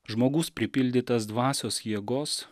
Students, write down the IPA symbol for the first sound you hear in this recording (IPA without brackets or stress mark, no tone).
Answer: ʒ